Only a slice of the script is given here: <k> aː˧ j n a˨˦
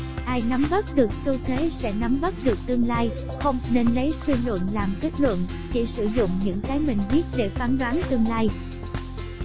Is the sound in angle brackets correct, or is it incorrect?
incorrect